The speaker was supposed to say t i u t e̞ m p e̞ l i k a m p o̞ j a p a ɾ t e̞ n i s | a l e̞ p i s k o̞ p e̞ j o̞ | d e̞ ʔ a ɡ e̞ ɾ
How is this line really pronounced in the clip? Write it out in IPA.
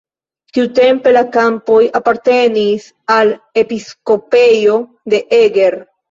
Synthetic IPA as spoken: t i u t e̞ m p e̞ l a k a m p o̞ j a p a ɾ t e̞ n i s | a l e̞ p i s k o̞ p e̞ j o̞ | d e̞ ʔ e ɡ e̞ ɾ